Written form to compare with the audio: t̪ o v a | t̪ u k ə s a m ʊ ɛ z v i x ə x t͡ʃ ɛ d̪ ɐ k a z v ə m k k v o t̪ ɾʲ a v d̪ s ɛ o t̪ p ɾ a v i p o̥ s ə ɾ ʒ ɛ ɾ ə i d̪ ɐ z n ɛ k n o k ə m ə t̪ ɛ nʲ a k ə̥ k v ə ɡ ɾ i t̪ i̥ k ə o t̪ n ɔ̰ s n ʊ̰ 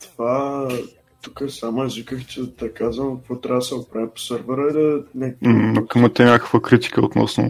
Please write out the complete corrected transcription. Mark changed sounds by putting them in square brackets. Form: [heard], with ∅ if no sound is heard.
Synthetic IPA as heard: t̪ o v a | t̪ u k ə s a m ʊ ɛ z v i [k] ə x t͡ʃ ɛ d̪ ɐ k a z v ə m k k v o t̪ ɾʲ a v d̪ s ɛ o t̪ p ɾ a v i p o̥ s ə ɾ [v] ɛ ɾ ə i d̪ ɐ [∅] n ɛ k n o k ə m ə t̪ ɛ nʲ a k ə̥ k v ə [k] ɾ i t̪ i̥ k ə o t̪ n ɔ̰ s n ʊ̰